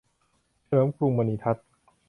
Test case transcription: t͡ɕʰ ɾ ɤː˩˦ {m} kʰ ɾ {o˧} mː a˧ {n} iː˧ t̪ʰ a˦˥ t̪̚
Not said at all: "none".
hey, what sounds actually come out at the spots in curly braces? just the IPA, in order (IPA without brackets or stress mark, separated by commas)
m, u˧, n